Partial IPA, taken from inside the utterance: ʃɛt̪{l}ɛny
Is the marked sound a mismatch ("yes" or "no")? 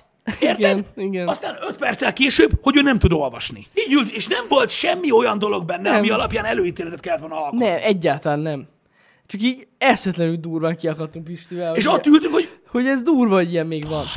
no